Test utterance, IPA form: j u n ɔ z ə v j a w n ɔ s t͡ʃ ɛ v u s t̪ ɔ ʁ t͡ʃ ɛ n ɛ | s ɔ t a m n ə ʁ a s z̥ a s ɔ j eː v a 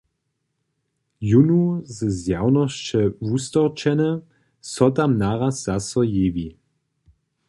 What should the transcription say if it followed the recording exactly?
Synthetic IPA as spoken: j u n u z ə z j a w n ɔ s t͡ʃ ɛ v u s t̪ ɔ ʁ t͡ʃ ɛ n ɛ | s ɔ t a m n a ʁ a s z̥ a s ɔ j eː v i